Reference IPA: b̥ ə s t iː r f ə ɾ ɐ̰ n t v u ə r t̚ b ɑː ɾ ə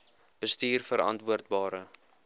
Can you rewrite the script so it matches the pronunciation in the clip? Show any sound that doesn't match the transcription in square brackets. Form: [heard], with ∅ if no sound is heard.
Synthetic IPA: b̥ ə s t iː r f ə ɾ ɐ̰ n t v u ə r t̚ b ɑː ɾ ə